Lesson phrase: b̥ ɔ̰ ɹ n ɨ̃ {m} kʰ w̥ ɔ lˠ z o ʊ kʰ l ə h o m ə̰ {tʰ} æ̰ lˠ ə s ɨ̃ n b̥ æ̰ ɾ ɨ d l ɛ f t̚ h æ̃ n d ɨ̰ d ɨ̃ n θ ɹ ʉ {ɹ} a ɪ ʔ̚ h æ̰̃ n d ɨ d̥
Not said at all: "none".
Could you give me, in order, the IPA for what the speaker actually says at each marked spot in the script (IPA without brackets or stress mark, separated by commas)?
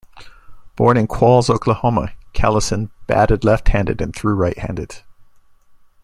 n, kʰ, ɹ